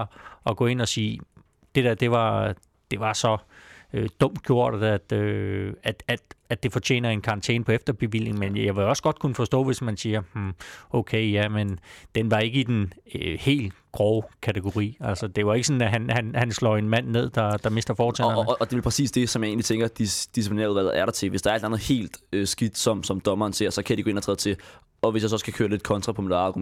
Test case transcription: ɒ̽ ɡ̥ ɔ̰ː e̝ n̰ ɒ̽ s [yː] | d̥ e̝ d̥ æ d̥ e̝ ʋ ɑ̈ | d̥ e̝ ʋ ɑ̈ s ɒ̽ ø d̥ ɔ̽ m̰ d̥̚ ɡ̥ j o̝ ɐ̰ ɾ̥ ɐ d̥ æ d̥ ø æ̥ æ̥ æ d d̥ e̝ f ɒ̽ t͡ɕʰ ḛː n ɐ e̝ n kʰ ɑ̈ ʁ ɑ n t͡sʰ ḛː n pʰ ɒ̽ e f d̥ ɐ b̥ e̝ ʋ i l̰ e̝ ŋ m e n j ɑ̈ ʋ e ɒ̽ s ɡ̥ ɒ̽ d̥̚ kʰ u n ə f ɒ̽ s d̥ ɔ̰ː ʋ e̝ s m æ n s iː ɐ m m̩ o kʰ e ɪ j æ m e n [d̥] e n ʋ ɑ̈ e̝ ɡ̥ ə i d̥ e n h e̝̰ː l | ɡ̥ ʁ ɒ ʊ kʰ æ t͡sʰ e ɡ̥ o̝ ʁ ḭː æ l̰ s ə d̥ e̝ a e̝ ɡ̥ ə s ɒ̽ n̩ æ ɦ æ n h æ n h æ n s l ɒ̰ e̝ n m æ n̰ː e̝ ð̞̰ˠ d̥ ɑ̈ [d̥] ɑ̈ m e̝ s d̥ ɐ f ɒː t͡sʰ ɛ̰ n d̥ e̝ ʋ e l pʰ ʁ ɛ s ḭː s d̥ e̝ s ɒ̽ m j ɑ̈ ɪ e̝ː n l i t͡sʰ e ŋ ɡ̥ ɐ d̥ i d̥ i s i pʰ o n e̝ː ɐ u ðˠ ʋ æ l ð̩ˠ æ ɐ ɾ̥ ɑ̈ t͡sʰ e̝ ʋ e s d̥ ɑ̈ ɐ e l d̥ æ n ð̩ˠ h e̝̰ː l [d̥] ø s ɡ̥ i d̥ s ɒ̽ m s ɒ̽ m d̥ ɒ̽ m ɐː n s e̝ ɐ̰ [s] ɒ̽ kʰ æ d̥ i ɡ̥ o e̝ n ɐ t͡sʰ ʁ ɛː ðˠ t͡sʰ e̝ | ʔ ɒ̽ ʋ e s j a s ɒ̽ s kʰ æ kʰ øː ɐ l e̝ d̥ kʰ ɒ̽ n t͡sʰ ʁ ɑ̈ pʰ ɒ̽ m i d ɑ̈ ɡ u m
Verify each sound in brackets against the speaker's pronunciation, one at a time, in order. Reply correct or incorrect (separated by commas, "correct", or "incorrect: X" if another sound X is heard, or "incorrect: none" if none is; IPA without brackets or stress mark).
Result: incorrect: iː, correct, correct, correct, correct